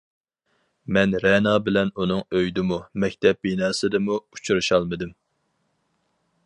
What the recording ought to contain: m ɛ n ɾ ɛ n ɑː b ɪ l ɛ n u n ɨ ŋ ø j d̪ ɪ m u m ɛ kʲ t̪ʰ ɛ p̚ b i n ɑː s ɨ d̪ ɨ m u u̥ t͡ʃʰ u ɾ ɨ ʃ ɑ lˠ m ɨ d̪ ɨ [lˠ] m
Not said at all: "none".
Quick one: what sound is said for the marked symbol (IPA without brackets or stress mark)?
none